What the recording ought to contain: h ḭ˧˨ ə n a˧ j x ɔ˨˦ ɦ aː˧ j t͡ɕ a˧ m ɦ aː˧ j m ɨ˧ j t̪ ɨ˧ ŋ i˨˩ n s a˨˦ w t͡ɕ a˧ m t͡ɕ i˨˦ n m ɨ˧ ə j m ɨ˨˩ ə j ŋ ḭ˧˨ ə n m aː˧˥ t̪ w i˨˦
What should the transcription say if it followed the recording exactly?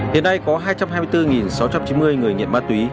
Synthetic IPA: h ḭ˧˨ ə n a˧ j k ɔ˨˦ ɦ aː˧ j t͡ɕ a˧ m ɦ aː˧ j m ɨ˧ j t̪ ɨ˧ ŋ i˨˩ n s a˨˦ w t͡ɕ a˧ m t͡ɕ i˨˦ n m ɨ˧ ə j ŋ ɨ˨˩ ə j ŋ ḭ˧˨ ə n m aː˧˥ t̪ w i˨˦